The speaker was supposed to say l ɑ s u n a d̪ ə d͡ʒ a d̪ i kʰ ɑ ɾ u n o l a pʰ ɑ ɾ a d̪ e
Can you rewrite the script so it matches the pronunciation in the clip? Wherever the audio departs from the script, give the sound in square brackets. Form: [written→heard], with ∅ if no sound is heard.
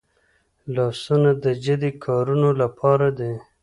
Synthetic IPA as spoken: l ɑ s u n a d̪ ə d͡ʒ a d̪ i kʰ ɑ ɾ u n o l a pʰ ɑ ɾ a d̪ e